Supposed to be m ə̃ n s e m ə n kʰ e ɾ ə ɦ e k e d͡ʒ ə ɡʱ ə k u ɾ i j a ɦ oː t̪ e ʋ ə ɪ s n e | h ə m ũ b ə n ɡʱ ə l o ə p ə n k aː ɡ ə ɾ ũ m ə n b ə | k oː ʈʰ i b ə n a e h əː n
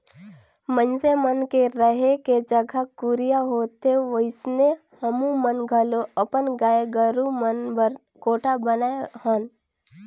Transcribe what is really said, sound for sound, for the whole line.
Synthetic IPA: m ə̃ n s e m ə n k e ɾ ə ɦ e k e d͡ʒ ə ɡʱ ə k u ɾ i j a ɦ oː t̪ e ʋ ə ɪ s n e | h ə m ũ m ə n ɡʱ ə l o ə p ə n ɡ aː ɡ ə ɾ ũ m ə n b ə | k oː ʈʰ a b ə n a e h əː n